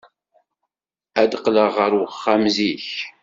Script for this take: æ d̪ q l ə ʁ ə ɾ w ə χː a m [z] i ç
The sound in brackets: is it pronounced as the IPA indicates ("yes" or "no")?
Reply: yes